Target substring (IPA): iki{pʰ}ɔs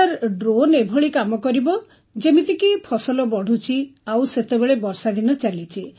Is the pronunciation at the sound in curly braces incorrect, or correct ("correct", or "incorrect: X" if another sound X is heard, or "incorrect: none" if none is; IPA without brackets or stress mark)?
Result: correct